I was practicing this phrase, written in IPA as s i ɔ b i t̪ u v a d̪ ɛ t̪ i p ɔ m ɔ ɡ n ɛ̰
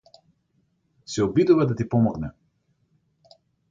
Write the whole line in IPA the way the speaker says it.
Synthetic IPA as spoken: s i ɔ b i d̪ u v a d̪ a t̪ i p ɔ m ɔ ɡ n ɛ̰